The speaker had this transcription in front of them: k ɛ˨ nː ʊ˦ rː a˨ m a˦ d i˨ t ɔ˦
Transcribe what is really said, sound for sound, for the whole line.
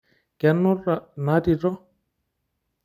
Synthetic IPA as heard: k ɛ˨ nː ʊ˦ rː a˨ n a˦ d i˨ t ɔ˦